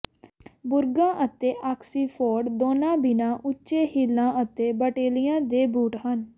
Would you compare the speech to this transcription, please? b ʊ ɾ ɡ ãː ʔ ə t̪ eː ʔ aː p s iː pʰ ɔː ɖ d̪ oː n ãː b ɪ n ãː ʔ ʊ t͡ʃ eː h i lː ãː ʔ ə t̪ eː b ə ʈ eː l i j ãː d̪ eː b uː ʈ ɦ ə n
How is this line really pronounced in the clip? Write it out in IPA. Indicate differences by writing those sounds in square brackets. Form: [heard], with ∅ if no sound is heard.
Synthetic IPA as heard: b ʊ ɾ ɡ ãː ʔ ə t̪ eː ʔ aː [k] s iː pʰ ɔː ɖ d̪ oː n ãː b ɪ n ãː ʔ ʊ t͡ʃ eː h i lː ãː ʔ ə t̪ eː b ə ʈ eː l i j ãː d̪ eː b uː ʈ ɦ ə n